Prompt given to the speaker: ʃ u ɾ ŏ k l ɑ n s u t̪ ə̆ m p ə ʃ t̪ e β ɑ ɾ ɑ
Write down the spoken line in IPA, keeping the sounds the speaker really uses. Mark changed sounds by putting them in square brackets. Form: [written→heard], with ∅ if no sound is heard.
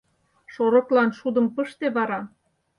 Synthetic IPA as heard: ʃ [u→o] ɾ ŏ k l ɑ n [s→ʃ] u [t̪→d̪] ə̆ m p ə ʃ t̪ e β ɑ ɾ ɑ